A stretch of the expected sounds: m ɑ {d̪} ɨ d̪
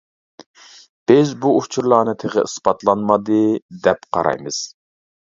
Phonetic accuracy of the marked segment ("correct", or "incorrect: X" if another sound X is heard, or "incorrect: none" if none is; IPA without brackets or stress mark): correct